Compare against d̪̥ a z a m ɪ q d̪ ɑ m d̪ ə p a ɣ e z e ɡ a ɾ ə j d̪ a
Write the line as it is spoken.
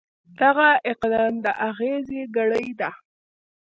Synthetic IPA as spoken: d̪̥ a ɣ a ɪ q d̪ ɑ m d̪ ə ʔ a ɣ e z e ɡ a ɽ ə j d̪ a